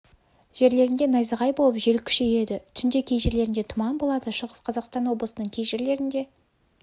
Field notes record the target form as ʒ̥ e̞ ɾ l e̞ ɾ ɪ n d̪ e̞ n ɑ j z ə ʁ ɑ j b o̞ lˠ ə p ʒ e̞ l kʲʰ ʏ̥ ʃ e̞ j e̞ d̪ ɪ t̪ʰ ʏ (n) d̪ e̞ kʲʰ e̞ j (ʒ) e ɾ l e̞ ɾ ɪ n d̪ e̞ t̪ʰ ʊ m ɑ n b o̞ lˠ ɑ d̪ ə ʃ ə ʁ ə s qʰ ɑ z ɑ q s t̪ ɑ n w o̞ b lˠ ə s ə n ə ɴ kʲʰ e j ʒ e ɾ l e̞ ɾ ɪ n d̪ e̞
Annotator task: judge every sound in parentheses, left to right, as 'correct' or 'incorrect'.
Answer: correct, correct

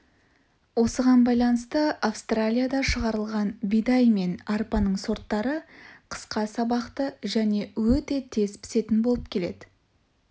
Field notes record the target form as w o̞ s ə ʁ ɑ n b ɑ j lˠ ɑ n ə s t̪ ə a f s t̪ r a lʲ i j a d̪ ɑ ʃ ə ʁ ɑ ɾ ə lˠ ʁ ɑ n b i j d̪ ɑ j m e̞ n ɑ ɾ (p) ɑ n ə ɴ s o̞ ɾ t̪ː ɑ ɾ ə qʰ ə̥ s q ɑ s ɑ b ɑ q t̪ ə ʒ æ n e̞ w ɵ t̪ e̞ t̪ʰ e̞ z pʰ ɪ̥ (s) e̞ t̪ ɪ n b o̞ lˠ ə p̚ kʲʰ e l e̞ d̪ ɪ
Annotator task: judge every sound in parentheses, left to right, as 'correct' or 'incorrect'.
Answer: correct, correct

